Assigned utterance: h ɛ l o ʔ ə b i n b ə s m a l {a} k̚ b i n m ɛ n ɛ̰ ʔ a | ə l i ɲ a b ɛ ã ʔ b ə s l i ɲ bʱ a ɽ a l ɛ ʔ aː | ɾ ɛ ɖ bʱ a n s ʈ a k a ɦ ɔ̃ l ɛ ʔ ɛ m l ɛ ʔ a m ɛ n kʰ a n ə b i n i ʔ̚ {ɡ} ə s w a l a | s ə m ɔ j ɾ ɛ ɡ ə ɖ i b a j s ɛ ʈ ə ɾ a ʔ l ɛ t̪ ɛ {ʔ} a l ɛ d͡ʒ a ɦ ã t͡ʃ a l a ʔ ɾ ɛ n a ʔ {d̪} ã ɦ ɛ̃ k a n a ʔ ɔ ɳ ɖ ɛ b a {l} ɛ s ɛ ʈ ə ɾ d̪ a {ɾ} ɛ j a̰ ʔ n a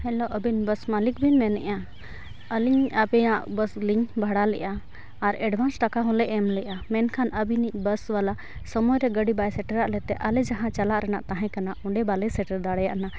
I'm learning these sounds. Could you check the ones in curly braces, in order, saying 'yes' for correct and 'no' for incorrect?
no, no, yes, no, yes, no

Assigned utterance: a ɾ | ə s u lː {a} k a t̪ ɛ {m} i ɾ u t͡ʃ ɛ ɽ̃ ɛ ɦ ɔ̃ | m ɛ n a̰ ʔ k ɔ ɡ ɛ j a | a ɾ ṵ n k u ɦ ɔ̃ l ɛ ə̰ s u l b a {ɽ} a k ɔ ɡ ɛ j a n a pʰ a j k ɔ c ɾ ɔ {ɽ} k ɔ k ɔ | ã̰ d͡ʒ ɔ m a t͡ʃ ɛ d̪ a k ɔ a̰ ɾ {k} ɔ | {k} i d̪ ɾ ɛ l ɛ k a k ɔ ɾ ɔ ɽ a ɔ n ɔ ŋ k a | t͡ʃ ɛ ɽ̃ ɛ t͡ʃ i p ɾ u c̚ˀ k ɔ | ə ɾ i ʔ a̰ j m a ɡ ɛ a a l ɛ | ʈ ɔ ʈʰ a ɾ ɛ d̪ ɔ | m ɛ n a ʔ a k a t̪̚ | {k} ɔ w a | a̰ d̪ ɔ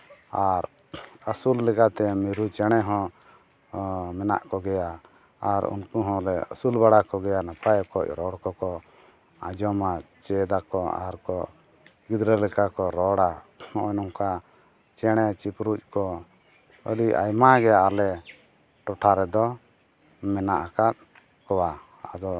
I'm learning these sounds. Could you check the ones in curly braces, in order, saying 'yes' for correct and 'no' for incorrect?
no, yes, yes, yes, yes, no, yes

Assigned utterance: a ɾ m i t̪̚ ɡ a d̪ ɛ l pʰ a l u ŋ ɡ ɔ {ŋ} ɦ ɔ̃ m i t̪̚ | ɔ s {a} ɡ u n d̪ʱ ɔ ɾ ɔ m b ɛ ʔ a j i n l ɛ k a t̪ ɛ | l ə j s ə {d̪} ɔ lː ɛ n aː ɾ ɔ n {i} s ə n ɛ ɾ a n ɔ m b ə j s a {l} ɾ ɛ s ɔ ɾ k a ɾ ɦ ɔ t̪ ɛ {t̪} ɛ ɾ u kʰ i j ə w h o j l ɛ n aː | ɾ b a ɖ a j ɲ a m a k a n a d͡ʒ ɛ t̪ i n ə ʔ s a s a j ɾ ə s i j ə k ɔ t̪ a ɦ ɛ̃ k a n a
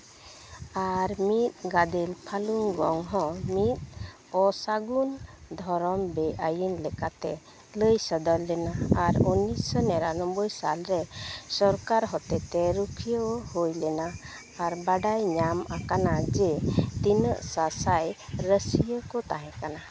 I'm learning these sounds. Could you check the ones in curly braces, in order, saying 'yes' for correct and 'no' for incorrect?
yes, yes, yes, yes, yes, yes

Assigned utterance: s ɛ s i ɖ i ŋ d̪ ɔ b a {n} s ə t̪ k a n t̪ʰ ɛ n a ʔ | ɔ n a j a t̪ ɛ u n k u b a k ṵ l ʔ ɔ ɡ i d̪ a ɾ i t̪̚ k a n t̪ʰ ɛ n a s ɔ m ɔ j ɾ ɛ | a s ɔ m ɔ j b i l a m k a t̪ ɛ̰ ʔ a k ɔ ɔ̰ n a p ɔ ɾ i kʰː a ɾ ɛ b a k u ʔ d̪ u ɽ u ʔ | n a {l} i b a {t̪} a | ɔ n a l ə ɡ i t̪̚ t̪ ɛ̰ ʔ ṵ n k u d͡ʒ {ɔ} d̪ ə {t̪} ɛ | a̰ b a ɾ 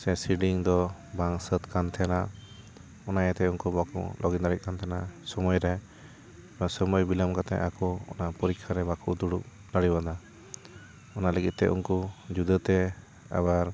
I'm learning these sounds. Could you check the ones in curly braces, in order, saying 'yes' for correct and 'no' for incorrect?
no, no, no, no, yes

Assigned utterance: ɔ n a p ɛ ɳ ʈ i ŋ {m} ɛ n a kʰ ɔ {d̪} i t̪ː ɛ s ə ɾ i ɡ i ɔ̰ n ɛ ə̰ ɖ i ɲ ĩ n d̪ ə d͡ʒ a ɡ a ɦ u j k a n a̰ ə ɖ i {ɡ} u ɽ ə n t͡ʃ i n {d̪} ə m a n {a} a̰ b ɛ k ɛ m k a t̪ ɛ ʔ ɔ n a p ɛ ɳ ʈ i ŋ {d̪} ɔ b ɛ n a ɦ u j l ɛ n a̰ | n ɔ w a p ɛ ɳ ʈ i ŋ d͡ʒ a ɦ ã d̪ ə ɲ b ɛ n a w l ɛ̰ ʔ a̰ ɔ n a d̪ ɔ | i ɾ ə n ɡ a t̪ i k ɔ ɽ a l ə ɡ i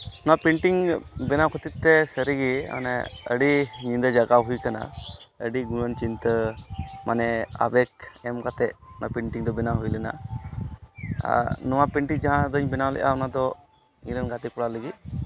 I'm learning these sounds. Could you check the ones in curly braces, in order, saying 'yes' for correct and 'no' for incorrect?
no, no, yes, no, no, yes

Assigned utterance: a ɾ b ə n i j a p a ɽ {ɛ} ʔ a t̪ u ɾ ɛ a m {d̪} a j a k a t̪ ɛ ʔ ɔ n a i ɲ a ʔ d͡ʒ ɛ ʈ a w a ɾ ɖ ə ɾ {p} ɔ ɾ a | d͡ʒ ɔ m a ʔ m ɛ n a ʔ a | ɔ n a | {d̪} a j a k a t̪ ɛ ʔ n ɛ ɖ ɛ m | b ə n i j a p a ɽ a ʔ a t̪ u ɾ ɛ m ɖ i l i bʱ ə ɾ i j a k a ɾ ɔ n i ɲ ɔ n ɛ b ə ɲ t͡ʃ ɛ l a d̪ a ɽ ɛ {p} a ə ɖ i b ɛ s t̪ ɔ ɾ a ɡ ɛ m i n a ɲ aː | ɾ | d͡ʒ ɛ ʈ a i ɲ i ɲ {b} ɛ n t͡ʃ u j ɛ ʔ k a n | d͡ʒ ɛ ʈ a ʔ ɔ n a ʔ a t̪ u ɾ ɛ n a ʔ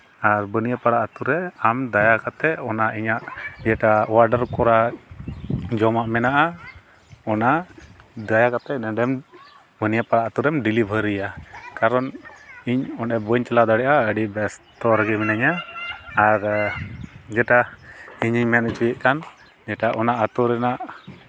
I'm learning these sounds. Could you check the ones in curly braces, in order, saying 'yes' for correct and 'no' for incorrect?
no, yes, no, yes, no, no

